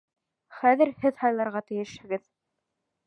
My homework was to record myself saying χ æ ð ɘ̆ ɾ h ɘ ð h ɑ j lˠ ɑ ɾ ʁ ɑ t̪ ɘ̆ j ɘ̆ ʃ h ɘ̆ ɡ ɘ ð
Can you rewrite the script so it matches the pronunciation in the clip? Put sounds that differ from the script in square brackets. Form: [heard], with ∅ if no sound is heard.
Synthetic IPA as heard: χ æ ð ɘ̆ ɾ h ɘ ð h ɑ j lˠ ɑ ɾ ʁ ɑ t̪ ɘ̆ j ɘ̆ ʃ h ɘ̆ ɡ ɘ ð